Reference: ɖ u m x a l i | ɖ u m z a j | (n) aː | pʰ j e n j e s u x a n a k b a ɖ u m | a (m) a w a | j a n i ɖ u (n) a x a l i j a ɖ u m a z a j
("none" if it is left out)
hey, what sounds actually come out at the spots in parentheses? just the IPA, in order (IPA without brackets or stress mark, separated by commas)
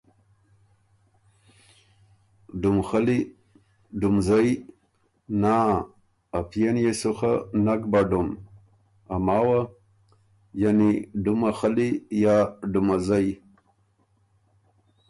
n, m, m